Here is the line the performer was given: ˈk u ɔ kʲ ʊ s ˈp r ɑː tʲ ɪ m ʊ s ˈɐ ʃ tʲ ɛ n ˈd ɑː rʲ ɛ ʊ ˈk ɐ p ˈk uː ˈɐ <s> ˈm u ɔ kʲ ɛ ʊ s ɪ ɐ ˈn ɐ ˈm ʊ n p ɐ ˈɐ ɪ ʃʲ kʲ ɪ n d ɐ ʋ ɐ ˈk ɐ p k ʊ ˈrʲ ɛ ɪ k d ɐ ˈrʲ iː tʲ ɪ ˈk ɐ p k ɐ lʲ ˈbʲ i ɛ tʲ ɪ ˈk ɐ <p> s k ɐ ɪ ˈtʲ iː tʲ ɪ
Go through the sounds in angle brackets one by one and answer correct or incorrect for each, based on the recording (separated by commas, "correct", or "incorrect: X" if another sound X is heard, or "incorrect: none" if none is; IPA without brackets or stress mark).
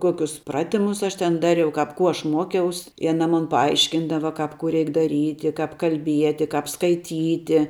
incorrect: ʃ, correct